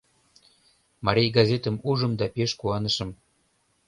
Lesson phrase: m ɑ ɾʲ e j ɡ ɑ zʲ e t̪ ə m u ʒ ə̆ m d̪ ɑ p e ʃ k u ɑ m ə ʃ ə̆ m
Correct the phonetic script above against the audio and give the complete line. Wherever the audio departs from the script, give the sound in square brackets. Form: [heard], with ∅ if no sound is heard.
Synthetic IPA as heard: m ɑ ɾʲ e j ɡ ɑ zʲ e t̪ ə m u ʒ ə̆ m d̪ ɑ p e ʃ k u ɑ [n] ə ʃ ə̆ m